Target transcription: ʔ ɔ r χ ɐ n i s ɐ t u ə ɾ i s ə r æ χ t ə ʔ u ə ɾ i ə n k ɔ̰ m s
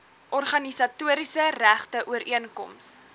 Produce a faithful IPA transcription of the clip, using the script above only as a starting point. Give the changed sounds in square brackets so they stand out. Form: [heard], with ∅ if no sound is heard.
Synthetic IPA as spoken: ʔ ɔ r χ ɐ n i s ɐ t u ə ɾ i s ə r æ χ t ə ʔ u ə ɾ i ə n k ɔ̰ m s